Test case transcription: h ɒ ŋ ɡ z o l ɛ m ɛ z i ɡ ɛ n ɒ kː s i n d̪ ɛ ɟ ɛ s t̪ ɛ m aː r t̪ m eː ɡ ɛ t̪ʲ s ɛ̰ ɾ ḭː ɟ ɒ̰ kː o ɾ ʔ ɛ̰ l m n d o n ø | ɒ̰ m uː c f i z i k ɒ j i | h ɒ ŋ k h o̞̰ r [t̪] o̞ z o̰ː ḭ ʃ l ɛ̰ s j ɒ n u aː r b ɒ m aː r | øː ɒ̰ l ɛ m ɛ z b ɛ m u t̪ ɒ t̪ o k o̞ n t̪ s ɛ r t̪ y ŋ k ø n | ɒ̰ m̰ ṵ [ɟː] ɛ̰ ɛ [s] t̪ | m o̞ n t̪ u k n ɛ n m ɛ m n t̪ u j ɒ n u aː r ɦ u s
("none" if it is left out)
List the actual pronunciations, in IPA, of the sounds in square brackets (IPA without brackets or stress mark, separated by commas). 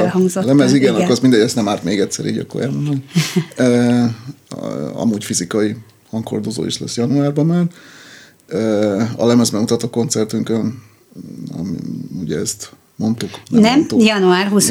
d̪, ɟ, s